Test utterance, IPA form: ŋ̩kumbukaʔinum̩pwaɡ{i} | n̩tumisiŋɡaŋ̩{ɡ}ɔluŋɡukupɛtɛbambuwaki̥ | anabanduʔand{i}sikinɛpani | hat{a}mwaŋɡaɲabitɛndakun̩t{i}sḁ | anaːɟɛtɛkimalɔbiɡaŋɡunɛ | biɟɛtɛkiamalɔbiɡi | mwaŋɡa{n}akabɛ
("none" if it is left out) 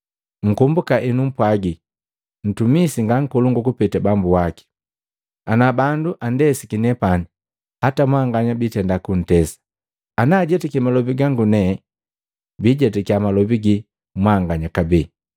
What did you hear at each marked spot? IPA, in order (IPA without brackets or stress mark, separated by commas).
i, k, ɛ, a, ɛ, ɲ